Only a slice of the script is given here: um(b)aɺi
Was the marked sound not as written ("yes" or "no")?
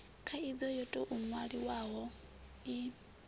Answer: yes